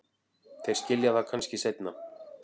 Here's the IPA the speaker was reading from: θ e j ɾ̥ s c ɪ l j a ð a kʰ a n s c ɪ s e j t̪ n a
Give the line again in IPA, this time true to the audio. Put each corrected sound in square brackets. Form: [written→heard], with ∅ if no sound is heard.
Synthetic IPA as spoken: θ e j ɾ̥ s c ɪ l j a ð a kʰ a n s c ɪ s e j t̪ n a